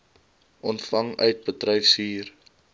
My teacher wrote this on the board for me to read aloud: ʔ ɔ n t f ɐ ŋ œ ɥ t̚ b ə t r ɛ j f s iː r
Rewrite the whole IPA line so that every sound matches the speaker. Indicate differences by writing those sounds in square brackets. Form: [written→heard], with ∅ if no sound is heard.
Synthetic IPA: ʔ ɔ n t f ɐ ŋ œ ɥ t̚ b ə t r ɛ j f s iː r